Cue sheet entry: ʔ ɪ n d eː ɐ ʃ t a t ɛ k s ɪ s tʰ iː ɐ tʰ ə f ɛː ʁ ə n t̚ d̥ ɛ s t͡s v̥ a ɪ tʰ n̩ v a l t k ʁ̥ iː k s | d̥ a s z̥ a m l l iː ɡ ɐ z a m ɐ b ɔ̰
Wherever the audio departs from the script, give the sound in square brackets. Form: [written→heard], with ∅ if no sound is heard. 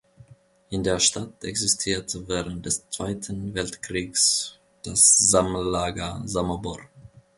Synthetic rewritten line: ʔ ɪ n d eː ɐ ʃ t a t ɛ k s ɪ s tʰ iː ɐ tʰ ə [f→v] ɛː ʁ ə n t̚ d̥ ɛ s t͡s v̥ a ɪ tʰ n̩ v [a→ɛ] l t k ʁ̥ iː k s | d̥ a s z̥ a m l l [iː→aː] ɡ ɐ z a m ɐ b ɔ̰